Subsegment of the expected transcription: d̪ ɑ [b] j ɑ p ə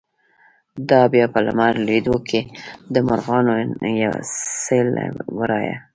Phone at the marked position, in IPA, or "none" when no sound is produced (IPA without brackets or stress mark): b